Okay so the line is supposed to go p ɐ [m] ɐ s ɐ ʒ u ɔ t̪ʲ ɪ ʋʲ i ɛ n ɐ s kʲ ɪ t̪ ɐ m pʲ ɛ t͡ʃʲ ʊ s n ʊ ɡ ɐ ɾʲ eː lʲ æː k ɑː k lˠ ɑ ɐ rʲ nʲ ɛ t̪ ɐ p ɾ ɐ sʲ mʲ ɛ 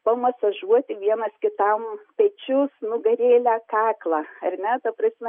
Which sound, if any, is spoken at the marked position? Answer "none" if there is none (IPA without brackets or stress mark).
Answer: m